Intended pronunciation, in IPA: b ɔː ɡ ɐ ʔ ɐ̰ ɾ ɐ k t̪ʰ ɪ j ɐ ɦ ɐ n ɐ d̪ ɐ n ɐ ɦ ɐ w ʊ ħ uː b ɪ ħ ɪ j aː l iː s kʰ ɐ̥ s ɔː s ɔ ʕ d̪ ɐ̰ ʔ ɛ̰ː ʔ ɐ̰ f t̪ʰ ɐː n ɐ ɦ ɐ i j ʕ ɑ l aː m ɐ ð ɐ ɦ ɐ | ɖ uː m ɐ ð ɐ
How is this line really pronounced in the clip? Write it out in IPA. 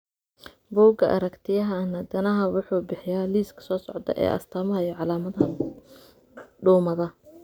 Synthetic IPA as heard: b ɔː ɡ ɐ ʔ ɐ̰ ɾ ɐ k t̪ʰ ɪ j ɐ ɦ ɐ n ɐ d̪ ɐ n ɐ ɦ ɐ w ʊ ħ uː b ɪ ħ ɪ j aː l iː s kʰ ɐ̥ s ɔː s ɔ ʕ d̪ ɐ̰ ʔ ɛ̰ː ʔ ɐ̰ s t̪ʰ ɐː m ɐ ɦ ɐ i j ʕ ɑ l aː m ɐ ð ɐ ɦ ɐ | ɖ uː m ɐ ð ɐ